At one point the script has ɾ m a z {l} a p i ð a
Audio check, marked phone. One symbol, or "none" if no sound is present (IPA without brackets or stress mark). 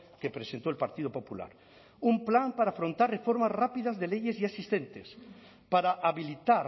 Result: r